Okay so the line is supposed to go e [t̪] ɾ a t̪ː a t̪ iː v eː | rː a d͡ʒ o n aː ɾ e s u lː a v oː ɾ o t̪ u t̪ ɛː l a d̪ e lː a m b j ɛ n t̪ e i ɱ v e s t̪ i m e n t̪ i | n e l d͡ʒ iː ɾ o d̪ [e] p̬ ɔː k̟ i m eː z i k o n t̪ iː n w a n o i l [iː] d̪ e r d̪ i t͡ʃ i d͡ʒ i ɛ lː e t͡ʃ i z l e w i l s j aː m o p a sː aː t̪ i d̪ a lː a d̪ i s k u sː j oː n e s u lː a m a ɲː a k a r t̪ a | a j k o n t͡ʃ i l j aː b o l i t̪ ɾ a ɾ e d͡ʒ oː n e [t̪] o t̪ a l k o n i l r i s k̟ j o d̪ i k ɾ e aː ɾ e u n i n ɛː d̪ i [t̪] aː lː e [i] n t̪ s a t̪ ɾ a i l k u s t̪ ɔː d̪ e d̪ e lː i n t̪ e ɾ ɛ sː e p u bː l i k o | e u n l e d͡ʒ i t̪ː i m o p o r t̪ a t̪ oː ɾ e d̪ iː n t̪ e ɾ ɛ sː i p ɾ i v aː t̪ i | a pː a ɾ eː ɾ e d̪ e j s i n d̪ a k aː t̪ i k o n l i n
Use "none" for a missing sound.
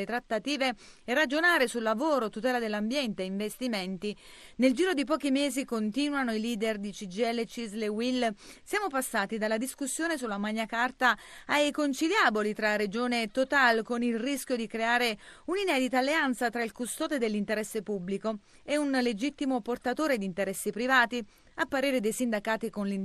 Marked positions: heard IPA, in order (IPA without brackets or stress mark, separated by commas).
t̪, i, iː, t̪, t̪, a